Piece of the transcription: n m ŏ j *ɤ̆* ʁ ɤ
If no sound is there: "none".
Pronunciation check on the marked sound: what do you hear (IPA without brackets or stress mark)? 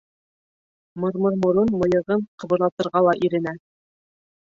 ɤ̆